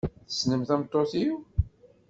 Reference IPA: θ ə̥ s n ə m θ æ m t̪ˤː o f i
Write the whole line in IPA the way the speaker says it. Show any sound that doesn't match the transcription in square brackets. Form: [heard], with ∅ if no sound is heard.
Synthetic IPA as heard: θ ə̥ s n ə m θ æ m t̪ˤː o [θ] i